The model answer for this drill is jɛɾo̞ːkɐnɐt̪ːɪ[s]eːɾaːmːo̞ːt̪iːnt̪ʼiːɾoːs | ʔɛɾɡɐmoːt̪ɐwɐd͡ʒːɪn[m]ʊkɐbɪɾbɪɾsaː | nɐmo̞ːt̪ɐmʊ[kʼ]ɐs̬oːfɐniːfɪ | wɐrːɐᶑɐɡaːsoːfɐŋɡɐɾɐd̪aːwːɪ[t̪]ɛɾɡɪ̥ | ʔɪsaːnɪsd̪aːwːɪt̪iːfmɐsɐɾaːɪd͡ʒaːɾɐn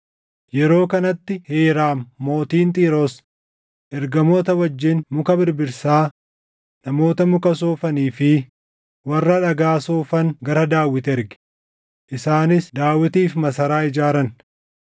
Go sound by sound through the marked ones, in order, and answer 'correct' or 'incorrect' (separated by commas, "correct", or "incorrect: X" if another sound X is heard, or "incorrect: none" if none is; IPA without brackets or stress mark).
incorrect: h, correct, incorrect: k, correct